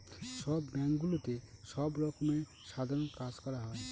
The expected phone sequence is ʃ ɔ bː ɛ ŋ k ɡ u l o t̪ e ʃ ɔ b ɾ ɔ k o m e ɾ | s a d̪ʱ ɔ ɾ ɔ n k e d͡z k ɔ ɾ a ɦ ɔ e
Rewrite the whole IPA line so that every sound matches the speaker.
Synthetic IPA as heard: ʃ ɔ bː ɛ ŋ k ɡ u l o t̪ e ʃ ɔ b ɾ ɔ k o m e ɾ | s a d̪ʱ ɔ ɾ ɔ n k a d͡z k ɔ ɾ a ɦ ɔ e